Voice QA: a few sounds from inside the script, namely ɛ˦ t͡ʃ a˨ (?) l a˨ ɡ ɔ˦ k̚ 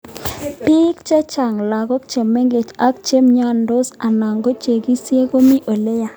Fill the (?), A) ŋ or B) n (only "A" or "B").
A